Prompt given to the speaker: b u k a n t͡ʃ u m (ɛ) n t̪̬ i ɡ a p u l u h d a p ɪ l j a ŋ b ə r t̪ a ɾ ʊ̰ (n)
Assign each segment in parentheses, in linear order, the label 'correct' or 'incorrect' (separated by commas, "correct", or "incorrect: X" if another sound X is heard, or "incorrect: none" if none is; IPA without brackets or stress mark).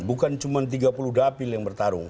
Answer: incorrect: a, incorrect: ŋ